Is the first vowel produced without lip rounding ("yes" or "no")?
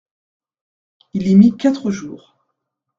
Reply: yes